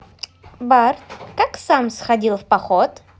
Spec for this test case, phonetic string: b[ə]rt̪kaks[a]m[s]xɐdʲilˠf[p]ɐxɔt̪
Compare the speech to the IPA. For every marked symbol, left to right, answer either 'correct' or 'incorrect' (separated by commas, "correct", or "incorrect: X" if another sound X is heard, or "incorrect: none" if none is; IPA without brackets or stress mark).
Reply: incorrect: a, correct, correct, correct